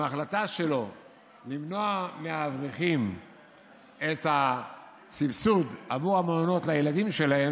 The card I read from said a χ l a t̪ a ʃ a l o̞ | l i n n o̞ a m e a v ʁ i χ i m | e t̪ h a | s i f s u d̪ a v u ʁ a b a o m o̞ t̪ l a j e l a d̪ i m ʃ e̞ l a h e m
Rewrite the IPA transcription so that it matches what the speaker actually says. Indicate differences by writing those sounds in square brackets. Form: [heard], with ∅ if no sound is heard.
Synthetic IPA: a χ l a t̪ a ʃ [e] l o̞ | l i [m] n o̞ a m e a v ʁ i χ i m | e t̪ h a | s i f s u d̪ a v u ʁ a [m] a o [n] o̞ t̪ l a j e l a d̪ i m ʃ e̞ l a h e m